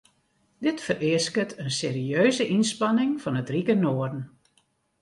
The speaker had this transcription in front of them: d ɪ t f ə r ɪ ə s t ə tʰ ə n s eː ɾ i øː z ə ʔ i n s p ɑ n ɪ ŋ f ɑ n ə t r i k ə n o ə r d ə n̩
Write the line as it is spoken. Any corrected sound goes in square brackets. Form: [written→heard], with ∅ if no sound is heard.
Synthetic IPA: d ɪ t f ə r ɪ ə s [t→k] ə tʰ ə n s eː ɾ i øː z ə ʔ i n s p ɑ n ɪ ŋ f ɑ n ə t r i k ə n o ə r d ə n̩